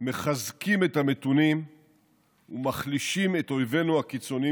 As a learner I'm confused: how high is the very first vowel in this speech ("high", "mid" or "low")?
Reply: mid